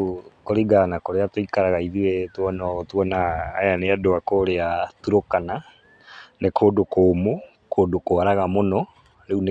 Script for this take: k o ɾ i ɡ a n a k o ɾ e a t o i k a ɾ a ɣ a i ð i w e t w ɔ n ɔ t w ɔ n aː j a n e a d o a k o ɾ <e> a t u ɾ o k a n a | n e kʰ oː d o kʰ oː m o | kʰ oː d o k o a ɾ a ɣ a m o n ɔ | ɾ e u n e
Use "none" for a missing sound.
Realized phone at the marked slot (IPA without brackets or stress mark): e